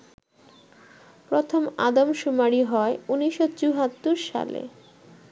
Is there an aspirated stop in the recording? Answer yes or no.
yes